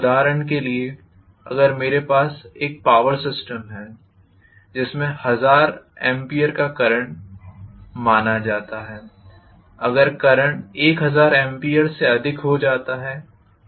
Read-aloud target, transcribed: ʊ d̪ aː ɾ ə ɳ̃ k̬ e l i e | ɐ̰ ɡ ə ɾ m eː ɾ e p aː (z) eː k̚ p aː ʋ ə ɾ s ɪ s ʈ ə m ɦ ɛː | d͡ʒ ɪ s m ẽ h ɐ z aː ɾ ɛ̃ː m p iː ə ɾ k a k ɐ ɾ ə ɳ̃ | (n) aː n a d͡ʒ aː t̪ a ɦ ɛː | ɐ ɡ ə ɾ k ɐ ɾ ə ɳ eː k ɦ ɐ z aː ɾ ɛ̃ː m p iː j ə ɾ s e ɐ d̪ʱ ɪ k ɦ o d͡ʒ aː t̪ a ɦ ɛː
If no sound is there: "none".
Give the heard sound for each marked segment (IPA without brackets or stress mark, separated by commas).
s, m